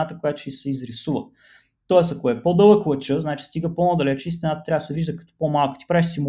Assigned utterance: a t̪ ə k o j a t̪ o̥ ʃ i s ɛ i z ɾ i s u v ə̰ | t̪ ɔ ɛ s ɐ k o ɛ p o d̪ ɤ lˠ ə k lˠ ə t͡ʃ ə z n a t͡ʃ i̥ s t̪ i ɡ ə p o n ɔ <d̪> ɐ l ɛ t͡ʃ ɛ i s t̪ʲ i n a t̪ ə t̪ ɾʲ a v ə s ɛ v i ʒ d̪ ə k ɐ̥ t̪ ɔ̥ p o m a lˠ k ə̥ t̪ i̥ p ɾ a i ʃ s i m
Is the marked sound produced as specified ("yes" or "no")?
yes